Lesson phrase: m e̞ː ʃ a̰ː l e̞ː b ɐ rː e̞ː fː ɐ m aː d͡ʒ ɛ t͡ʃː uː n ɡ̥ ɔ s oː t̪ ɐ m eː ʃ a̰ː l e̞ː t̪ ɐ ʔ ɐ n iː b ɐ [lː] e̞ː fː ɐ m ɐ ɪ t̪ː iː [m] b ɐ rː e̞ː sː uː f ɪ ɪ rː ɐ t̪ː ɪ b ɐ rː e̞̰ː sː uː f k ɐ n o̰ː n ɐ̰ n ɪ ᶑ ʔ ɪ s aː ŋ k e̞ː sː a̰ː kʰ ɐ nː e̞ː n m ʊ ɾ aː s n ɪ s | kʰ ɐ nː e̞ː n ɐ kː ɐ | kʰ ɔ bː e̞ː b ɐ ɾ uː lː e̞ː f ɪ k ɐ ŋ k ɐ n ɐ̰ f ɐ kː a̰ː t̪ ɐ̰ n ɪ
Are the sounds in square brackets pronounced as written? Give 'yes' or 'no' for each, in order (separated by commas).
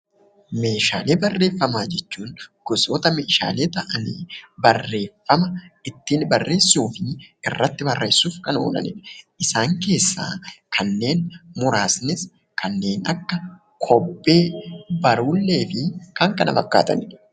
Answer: no, no